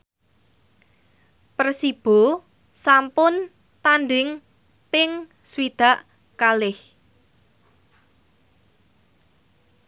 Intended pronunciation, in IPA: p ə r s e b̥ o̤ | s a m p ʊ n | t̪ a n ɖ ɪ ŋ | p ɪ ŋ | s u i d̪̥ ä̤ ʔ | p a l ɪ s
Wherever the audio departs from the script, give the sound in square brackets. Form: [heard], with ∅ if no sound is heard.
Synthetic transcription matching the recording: p ə r s [i] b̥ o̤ | s a m p ʊ n | t̪ a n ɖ ɪ ŋ | p ɪ ŋ | s [w] i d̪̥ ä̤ ʔ | [k] a l ɪ [h]